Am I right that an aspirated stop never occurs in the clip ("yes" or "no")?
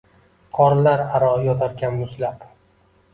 no